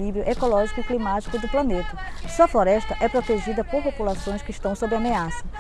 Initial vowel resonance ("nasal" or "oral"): oral